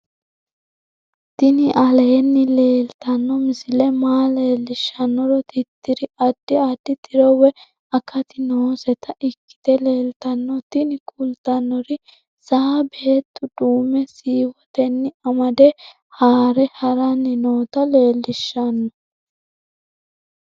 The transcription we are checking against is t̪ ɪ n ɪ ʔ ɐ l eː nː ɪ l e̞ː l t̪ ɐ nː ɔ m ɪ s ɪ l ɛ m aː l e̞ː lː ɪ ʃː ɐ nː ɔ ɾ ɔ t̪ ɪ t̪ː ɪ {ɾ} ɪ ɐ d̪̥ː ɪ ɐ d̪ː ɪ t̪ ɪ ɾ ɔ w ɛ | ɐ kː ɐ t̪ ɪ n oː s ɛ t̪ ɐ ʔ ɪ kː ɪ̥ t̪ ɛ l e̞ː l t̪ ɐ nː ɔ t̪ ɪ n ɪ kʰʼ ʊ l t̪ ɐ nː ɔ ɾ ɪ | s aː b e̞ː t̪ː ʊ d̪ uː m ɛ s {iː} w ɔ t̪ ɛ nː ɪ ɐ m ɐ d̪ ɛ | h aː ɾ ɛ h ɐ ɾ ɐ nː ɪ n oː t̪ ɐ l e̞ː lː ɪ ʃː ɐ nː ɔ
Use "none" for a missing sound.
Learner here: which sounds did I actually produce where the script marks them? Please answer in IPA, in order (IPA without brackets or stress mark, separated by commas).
ɾ, iː